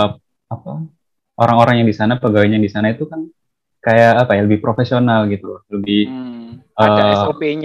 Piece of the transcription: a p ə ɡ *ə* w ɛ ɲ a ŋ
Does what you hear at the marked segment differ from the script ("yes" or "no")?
yes